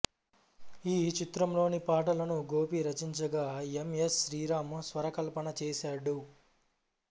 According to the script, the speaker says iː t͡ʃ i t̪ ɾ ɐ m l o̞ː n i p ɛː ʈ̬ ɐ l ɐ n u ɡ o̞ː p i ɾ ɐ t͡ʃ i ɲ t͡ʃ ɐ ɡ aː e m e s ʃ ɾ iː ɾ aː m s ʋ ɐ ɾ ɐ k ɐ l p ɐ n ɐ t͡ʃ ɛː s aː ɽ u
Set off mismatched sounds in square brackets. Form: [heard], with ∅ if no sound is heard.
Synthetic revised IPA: iː t͡ʃ i t̪ ɾ ɐ m l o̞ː n i p [aː] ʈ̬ ɐ l ɐ n u ɡ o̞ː p i ɾ ɐ t͡ʃ i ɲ t͡ʃ ɐ ɡ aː e m e s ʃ ɾ iː ɾ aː m s ʋ ɐ ɾ ɐ k ɐ l p ɐ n ɐ t͡ʃ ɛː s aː ɽ u